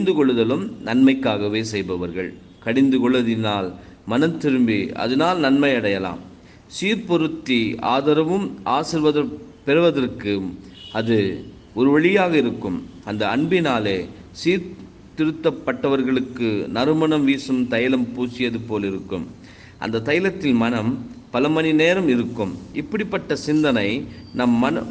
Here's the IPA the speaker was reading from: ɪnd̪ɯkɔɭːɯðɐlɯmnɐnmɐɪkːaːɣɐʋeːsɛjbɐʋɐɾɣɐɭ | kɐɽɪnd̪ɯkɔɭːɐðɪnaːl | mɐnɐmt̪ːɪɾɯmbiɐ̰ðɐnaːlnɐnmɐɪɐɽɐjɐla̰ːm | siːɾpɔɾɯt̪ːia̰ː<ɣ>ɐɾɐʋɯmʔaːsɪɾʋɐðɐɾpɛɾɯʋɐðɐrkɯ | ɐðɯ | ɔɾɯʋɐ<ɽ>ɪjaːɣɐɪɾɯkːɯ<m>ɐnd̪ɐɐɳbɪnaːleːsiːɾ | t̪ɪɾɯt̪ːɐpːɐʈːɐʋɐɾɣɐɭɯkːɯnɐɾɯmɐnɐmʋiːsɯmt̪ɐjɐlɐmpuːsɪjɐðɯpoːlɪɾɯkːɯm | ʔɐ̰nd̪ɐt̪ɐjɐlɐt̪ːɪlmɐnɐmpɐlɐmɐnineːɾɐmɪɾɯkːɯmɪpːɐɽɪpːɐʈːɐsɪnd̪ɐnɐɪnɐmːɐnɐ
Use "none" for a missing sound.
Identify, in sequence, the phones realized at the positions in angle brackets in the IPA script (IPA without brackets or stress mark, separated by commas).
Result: ð, ɭ, m